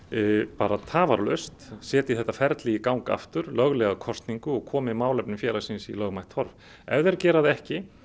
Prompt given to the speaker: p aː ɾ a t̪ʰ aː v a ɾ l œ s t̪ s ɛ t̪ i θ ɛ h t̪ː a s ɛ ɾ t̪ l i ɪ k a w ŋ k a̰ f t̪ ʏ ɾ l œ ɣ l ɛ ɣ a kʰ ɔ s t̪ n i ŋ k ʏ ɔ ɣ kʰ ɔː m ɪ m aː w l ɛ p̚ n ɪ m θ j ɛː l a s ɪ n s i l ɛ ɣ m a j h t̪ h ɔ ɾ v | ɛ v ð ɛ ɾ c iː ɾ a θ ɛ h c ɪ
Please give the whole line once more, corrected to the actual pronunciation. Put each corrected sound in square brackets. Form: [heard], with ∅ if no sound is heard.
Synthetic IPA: p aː ɾ a t̪ʰ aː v a ɾ l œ s t̪ s [ɛː] t̪ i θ ɛ h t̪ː a [f] ɛ ɾ t̪ l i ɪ k a w ŋ k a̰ f t̪ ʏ ɾ l œ ɣ l ɛ ɣ a kʰ ɔ s t̪ n i ŋ k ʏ ɔ ɣ kʰ ɔː m ɪ m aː w l ɛ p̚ n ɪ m [f] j ɛː l a s ɪ n s i l [œ] ɣ m a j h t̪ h ɔ ɾ v | ɛ v ð ɛ ɾ c [ɛː] ɾ a [ð] ɛ h c ɪ